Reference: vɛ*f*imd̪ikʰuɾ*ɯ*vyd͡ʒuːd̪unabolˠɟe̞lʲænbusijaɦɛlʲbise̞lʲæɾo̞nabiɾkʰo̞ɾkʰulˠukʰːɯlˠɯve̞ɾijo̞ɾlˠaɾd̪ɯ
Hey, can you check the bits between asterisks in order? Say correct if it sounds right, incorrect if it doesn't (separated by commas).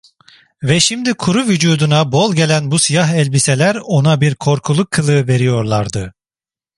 incorrect, incorrect